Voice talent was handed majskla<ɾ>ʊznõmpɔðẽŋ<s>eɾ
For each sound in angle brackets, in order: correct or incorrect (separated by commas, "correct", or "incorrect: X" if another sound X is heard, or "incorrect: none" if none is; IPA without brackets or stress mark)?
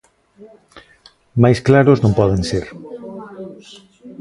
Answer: correct, correct